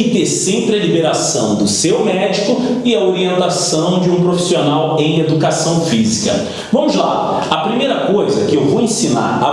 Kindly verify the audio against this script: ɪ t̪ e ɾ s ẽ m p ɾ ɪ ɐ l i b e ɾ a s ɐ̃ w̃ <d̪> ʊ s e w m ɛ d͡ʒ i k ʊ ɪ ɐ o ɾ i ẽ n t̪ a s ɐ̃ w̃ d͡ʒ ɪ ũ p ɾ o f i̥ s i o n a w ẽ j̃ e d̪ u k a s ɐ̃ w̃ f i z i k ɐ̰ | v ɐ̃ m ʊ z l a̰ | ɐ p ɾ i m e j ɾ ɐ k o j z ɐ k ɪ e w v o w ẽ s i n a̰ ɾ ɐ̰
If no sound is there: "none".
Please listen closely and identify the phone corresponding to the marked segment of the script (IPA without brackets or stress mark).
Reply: d̪